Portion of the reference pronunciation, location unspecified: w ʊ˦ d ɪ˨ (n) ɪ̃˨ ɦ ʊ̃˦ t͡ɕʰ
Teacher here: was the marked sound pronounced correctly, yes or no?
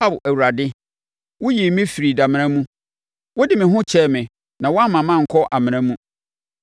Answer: no